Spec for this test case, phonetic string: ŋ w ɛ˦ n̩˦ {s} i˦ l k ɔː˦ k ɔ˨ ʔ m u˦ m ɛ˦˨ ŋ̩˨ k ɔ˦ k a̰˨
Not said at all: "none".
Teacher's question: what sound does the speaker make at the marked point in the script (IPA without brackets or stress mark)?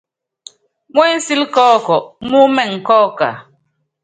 s